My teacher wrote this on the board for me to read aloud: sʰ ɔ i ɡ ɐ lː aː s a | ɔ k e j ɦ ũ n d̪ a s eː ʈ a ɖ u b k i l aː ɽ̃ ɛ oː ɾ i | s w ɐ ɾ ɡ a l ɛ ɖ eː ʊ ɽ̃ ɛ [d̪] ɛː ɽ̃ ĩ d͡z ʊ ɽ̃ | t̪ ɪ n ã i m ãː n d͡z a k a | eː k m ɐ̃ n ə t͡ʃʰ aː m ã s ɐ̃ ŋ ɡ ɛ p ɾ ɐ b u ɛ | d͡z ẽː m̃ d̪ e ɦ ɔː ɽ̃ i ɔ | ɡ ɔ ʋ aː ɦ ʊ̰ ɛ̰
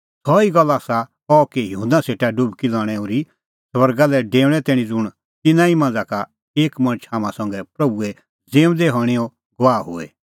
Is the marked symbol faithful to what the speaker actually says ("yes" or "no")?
no